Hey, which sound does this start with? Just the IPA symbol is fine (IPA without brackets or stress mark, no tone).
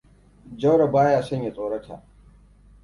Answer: d͡ʒ